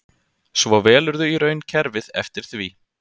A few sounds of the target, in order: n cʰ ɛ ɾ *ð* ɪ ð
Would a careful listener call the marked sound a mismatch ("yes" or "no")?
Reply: yes